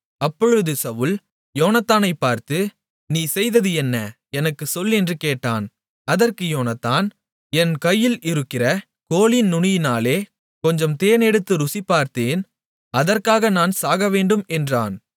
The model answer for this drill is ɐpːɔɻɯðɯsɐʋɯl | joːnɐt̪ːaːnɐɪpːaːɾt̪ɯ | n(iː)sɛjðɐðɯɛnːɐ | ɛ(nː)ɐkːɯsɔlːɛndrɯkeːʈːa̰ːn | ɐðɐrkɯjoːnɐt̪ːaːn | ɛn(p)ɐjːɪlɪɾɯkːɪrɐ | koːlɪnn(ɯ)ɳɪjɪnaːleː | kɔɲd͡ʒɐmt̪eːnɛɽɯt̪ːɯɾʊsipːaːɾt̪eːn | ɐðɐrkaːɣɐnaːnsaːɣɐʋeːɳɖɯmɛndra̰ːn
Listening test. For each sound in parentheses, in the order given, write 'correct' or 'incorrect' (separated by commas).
correct, incorrect, incorrect, incorrect